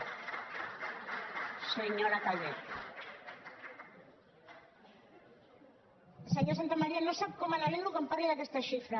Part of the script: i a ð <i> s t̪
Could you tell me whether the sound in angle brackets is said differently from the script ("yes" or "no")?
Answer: yes